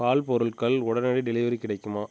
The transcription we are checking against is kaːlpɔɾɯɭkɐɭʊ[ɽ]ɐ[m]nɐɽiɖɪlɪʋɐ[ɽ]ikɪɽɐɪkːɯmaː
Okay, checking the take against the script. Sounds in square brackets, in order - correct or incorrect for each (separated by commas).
correct, incorrect, incorrect